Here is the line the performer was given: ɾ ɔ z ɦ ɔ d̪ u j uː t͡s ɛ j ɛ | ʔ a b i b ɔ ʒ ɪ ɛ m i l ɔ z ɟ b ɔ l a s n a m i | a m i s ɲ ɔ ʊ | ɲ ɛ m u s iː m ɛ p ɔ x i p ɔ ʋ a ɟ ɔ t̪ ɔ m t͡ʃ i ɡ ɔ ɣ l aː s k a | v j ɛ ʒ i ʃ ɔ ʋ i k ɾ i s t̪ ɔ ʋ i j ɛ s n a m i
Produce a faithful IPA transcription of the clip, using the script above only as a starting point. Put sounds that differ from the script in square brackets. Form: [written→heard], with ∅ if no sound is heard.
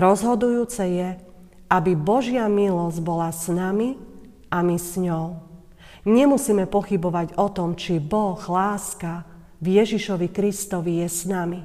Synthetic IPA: ɾ ɔ z ɦ ɔ d̪ u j uː t͡s ɛ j ɛ | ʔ a b i b ɔ ʒ ɪ [ɛ→a] m i l ɔ z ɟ b ɔ l a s n a m i | a m i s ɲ ɔ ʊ | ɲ ɛ m u s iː m ɛ p ɔ x i [p→b] ɔ ʋ a ɟ ɔ t̪ ɔ m t͡ʃ i [ɡ→b] ɔ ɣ l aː s k a | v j ɛ ʒ i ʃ ɔ ʋ i k ɾ i s t̪ ɔ ʋ i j ɛ s n a m i